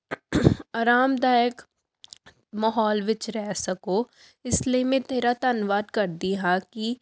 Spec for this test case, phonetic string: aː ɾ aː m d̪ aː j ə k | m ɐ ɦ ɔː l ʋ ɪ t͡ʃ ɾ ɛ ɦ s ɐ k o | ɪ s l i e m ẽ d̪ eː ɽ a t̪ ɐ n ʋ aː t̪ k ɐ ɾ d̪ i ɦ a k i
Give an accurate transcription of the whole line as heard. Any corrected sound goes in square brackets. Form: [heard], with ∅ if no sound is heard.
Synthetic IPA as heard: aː ɾ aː m d̪ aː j ə k | m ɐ ɦ ɔː l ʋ ɪ t͡ʃ ɾ ɛ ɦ s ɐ k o | ɪ s l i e m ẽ [t̪] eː [ɾ] a t̪ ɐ n ʋ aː [d̪] k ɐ ɾ d̪ i ɦ a k i

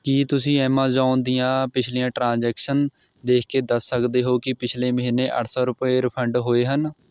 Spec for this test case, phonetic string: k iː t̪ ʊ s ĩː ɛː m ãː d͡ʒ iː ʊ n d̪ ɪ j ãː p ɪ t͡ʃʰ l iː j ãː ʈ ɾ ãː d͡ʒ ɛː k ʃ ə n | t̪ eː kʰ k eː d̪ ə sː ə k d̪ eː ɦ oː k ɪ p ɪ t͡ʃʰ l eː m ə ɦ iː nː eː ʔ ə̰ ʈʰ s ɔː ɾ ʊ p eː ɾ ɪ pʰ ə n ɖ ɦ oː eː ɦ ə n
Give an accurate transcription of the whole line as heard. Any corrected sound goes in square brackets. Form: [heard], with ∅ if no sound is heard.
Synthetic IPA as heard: k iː t̪ ʊ s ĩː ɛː m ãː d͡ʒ [aː] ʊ n d̪ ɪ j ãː p ɪ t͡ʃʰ l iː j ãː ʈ ɾ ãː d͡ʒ ɛː k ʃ ə n | [d̪] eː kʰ k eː d̪ ə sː ə k d̪ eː ɦ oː k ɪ p ɪ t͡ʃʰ l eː m ə ɦ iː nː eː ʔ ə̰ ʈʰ s ɔː ɾ ʊ p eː ɾ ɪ pʰ ə [ɳ] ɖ ɦ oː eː ɦ ə n

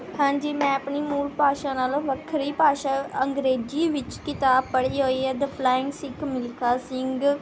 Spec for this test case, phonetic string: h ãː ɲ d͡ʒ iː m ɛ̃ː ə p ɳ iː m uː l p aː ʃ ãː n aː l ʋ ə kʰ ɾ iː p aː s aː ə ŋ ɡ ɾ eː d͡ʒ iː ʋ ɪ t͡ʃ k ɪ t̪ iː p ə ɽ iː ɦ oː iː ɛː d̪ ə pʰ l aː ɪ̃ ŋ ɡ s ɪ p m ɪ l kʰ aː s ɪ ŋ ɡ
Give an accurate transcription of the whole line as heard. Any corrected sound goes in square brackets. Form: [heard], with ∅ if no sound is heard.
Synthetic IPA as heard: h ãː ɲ d͡ʒ iː m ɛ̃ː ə p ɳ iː m uː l p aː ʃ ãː n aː l ʋ ə kʰ ɾ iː p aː [ʃ] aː ə ŋ ɡ ɾ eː d͡ʒ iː ʋ ɪ t͡ʃ k ɪ t̪ [aː] p ə ɽ iː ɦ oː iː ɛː d̪ ə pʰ l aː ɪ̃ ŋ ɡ s ɪ [k] m ɪ l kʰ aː s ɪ ŋ ɡ

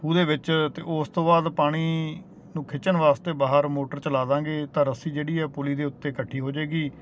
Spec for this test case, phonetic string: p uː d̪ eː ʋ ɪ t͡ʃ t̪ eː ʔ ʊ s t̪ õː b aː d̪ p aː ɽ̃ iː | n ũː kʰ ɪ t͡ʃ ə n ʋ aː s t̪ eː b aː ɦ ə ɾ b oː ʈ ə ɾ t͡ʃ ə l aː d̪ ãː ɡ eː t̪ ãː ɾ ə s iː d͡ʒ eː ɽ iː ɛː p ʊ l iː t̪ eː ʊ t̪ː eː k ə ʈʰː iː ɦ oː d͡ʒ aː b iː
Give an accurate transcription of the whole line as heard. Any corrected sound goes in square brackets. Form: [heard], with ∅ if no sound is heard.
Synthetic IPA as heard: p uː d̪ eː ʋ ɪ t͡ʃ t̪ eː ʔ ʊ s t̪ õː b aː d̪ p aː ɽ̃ iː | n ũː kʰ ɪ t͡ʃ ə n ʋ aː s t̪ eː b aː ɦ ə ɾ [m] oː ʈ ə ɾ t͡ʃ ə l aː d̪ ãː ɡ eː t̪ ãː ɾ ə s iː d͡ʒ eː ɽ iː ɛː p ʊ l iː [d̪] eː ʊ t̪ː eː k ə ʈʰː iː ɦ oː d͡ʒ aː [ɡ] iː

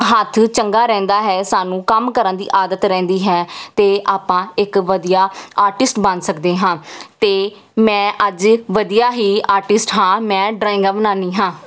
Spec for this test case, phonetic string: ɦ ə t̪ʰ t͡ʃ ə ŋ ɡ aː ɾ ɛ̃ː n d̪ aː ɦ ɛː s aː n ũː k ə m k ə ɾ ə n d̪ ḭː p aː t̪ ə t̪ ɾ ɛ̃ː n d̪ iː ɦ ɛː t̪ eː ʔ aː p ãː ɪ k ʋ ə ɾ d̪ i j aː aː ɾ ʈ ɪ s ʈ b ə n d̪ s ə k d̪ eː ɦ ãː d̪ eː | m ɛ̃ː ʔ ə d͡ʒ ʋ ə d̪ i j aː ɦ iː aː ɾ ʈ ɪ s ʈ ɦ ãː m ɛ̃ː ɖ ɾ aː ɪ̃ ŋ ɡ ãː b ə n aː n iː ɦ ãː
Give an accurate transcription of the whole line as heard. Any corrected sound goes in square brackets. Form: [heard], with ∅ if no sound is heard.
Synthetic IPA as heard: ɦ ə t̪ʰ t͡ʃ ə ŋ ɡ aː ɾ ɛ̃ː n d̪ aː ɦ ɛː s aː n ũː k ə m k ə ɾ ə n d̪ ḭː [ʔ] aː [d̪] ə t̪ ɾ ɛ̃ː n d̪ iː ɦ ɛː t̪ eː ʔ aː p ãː ɪ k ʋ ə [∅] d̪ i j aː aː ɾ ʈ ɪ s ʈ b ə n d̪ s ə k d̪ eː ɦ ãː [t̪] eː | m ɛ̃ː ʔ ə d͡ʒ ʋ ə d̪ i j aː ɦ iː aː ɾ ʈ ɪ s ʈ ɦ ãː m ɛ̃ː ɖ ɾ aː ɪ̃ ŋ ɡ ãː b ə n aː n iː ɦ ãː

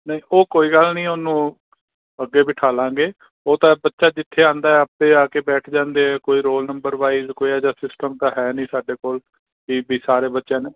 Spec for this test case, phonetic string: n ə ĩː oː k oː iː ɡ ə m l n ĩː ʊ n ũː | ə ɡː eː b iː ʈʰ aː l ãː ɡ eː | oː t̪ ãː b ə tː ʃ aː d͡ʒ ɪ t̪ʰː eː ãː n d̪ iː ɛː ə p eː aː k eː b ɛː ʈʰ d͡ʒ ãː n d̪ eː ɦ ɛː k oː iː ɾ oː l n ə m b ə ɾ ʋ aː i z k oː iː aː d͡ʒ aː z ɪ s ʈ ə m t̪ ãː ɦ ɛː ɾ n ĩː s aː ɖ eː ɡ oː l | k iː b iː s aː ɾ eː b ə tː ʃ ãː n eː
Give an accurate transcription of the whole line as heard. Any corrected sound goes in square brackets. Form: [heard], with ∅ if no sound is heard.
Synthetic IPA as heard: n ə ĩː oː k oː iː ɡ ə [∅] l n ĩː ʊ n ũː | ə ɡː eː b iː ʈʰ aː l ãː ɡ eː | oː t̪ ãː b ə tː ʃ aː d͡ʒ ɪ t̪ʰː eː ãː n d̪ [aː] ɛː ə p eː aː k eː b ɛː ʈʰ d͡ʒ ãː n d̪ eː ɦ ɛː k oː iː ɾ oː l n ə m b ə ɾ ʋ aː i z k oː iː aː d͡ʒ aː [s] ɪ s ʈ ə m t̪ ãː ɦ ɛː [∅] n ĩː s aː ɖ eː [k] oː l | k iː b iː s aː ɾ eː b ə tː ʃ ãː n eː

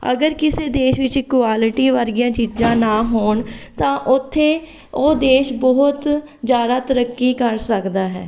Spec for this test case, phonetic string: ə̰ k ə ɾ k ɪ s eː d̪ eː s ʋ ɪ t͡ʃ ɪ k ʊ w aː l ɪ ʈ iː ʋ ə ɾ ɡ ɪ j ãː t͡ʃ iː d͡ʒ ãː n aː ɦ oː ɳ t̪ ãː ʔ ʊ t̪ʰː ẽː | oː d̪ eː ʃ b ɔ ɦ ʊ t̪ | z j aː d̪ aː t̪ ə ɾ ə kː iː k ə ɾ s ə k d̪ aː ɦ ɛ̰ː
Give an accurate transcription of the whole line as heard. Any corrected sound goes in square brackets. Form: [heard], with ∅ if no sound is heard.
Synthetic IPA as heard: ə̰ [ɡ] ə ɾ k ɪ s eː d̪ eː [ʃ] ʋ ɪ t͡ʃ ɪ k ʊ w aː l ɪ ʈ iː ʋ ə ɾ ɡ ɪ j ãː t͡ʃ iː d͡ʒ ãː n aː ɦ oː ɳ t̪ ãː ʔ ʊ t̪ʰː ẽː | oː d̪ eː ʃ b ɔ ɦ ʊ t̪ | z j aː d̪ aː t̪ ə ɾ ə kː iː k ə ɾ s ə k d̪ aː ɦ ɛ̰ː

